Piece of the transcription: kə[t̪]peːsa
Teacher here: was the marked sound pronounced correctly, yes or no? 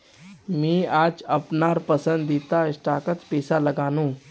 yes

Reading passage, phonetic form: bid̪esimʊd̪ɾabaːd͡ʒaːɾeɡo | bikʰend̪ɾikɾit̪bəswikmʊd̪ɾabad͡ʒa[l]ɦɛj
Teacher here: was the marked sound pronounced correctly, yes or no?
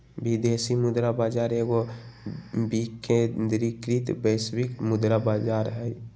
no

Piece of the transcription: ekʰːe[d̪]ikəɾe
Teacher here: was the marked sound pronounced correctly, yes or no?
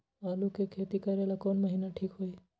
no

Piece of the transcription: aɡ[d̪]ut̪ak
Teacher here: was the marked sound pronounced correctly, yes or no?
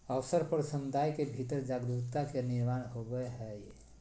yes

